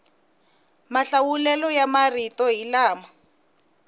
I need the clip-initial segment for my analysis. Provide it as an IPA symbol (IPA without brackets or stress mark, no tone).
m